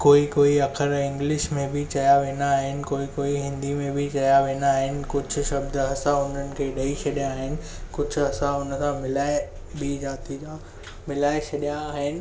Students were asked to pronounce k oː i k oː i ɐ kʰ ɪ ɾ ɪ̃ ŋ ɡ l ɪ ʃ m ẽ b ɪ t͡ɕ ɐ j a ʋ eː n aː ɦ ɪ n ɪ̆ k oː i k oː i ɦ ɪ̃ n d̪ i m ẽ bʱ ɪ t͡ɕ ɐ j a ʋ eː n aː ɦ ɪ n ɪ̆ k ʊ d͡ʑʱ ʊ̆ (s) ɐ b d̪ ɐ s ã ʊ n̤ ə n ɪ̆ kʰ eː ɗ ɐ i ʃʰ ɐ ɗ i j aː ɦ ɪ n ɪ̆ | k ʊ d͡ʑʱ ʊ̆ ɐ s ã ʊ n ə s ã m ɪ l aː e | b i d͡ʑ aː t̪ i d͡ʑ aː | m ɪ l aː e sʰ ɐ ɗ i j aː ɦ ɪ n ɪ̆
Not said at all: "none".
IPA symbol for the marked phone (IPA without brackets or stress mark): ʃ